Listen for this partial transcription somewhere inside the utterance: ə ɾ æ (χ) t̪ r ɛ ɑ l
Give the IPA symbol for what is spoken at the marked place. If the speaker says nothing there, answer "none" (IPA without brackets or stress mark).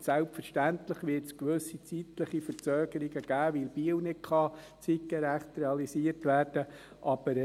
χ